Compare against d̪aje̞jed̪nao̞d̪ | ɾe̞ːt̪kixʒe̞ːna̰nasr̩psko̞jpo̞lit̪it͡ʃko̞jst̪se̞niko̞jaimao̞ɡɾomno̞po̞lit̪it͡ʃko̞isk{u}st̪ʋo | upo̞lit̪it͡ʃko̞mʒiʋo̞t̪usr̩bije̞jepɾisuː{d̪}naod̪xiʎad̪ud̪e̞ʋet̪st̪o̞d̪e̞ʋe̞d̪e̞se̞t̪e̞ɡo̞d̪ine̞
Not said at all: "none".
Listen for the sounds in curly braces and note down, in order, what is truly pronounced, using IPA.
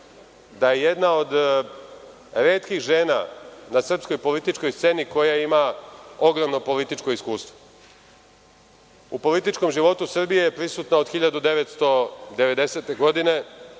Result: uː, t̪

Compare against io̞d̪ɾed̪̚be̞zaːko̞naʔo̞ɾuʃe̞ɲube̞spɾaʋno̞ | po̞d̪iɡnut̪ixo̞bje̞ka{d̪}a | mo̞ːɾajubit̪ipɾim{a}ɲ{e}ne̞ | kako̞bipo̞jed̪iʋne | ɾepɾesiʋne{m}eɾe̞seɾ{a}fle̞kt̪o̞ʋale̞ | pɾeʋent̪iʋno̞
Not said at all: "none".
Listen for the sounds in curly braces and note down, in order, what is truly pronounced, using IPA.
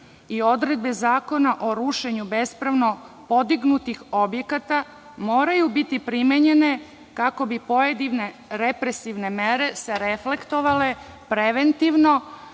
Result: t̪, e, e, m, e

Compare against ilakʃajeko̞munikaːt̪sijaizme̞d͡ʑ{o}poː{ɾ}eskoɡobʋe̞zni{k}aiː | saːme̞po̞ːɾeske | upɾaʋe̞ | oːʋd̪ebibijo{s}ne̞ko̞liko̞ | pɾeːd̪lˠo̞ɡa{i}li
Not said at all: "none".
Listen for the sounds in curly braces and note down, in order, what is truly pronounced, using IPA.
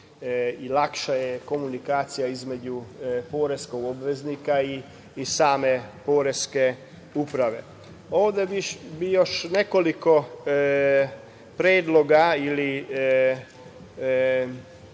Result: u, ɾ, k, ʃ, i

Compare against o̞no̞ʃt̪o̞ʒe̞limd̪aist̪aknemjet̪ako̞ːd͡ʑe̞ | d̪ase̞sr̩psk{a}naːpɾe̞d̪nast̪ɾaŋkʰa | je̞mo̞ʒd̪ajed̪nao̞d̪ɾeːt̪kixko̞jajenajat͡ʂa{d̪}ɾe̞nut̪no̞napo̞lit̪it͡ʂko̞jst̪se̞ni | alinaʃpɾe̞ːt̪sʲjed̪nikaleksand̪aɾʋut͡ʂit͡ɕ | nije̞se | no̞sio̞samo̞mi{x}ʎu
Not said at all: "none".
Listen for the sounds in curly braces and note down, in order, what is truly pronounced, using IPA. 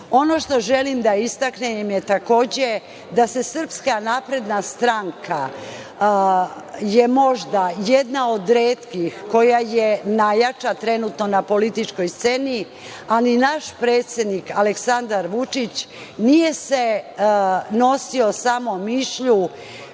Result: a, t̪, ʃ

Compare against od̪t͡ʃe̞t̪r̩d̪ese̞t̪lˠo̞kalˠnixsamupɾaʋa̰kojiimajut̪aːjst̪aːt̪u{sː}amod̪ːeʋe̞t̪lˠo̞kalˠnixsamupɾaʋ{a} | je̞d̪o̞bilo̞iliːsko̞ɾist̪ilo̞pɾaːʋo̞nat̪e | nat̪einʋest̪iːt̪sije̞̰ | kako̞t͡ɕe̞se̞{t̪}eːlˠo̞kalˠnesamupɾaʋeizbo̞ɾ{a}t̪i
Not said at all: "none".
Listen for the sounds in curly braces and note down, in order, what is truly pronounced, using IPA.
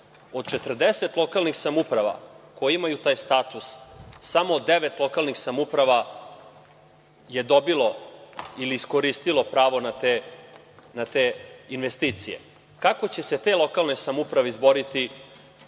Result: sː, a, t̪, i

